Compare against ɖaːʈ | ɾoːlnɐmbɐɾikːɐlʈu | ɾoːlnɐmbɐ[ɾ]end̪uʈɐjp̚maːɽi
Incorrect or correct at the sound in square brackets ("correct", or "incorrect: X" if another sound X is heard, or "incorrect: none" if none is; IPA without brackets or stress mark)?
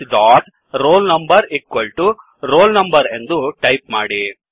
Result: correct